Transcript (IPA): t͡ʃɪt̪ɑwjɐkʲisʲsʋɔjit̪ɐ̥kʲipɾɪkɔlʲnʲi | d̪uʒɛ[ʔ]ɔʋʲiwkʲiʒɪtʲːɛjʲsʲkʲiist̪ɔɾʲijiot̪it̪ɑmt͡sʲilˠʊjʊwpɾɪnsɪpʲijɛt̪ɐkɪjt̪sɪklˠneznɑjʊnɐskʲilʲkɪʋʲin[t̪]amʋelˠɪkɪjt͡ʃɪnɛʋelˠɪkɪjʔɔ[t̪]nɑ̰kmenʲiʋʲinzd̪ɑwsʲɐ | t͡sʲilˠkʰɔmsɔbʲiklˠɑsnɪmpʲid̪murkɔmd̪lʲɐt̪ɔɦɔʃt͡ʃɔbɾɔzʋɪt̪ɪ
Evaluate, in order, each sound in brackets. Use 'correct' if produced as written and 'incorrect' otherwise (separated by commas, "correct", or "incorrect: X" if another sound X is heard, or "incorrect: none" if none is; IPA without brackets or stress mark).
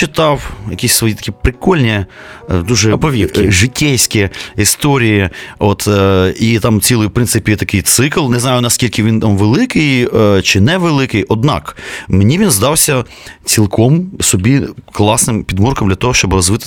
incorrect: p, correct, incorrect: d̪